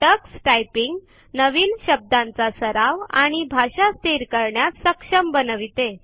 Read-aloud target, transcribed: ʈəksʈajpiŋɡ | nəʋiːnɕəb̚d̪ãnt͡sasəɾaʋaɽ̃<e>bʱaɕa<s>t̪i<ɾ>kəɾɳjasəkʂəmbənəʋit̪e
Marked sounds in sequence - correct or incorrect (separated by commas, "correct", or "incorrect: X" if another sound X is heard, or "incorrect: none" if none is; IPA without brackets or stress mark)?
incorrect: i, correct, correct